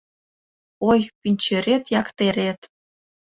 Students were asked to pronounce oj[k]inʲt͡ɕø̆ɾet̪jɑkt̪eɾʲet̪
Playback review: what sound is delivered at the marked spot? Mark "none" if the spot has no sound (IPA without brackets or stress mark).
p